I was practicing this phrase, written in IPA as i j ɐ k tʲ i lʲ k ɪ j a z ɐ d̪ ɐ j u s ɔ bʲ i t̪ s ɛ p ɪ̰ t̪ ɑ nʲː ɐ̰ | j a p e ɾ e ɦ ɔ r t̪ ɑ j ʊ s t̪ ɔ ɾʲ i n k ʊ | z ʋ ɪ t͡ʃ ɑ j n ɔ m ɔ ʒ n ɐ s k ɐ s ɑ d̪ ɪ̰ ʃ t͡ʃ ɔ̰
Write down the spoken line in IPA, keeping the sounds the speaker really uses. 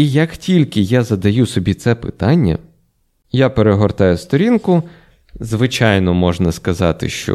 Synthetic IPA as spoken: i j ɐ k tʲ i lʲ k ɪ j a z ɐ d̪ ɐ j u s ɔ bʲ i t̪ s ɛ p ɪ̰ t̪ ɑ nʲː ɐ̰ | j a p e ɾ e ɦ ɔ r t̪ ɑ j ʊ s t̪ ɔ ɾʲ i n k ʊ | z ʋ ɪ t͡ʃ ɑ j n ɔ m ɔ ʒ n ɐ s k ɐ z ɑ t̪ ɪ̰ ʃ t͡ʃ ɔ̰